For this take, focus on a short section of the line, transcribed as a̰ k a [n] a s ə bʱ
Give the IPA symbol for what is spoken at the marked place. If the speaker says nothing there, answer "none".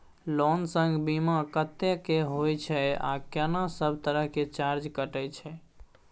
n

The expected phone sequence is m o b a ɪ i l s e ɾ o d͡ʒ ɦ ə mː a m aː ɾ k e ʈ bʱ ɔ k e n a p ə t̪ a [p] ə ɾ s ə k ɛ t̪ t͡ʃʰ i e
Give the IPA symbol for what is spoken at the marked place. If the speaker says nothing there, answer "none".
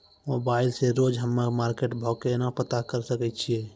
k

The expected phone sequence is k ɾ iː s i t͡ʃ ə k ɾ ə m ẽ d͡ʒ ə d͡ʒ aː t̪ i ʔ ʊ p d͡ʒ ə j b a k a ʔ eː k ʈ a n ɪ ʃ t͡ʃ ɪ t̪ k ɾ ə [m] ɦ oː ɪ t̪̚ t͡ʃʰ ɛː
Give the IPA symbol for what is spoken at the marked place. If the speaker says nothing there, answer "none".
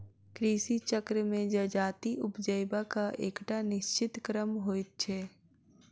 m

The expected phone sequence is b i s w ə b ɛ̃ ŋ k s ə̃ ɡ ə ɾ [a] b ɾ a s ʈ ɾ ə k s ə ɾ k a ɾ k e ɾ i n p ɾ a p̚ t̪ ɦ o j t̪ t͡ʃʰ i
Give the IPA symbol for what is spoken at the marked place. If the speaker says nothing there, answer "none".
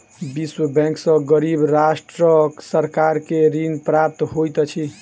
i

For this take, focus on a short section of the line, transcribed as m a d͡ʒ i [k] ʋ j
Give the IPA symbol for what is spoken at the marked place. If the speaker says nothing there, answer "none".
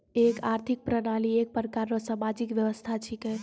k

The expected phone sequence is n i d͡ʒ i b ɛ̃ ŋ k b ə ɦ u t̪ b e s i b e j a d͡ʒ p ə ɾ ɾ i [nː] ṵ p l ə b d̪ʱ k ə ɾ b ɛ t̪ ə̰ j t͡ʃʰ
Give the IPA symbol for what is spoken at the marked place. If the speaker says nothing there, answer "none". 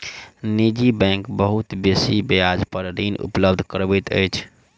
n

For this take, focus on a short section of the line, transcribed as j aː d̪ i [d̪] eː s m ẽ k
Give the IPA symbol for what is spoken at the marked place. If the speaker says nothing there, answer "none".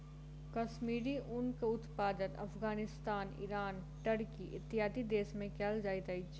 d̪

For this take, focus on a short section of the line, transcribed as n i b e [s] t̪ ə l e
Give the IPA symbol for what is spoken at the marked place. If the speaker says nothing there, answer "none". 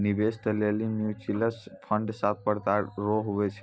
s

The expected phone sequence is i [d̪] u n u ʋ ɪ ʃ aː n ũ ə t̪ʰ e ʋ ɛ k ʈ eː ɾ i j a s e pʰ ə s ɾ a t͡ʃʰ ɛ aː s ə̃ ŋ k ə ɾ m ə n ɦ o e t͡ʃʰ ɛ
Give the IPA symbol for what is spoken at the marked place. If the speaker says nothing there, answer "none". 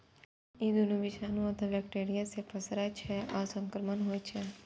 d̪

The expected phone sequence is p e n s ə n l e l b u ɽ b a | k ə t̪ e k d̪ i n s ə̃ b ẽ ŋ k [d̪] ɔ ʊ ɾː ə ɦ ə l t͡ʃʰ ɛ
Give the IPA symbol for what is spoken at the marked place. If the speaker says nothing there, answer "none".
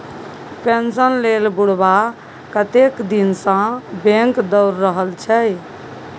d̪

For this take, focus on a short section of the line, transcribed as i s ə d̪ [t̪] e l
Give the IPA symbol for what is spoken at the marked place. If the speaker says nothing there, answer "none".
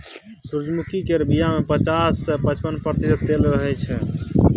t̪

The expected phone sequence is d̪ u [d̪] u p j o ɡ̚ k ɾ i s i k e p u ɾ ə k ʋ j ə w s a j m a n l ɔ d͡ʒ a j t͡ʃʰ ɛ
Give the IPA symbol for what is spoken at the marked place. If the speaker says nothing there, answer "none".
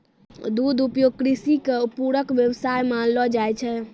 d̪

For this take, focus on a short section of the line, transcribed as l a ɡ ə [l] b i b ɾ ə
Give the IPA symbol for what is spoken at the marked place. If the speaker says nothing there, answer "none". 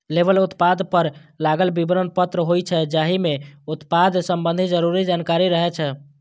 l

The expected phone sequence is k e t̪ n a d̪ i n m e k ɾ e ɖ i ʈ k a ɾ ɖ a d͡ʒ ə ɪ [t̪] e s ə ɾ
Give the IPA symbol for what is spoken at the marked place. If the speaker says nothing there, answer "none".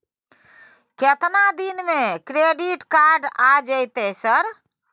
t̪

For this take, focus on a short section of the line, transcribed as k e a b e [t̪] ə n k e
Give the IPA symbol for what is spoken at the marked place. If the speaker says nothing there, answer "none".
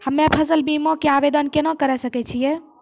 d̪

